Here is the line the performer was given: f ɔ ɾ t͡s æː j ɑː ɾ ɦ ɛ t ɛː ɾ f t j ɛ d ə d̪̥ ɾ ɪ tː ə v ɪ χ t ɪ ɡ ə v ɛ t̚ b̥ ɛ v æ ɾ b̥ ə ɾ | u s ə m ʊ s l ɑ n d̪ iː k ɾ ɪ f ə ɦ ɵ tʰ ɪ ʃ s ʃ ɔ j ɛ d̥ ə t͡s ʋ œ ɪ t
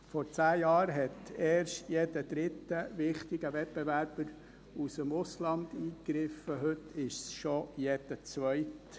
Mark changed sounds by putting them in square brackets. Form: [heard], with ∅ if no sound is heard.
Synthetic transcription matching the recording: f ɔ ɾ t͡s æː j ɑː ɾ ɦ ɛ t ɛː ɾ [ʃ] t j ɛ d ə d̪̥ ɾ ɪ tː ə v ɪ χ t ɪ ɡ ə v ɛ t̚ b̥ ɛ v æ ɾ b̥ ə ɾ | u s ə m ʊ s l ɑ n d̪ iː k ɾ ɪ f ə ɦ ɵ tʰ ɪ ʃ s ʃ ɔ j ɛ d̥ ə t͡s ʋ œ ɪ t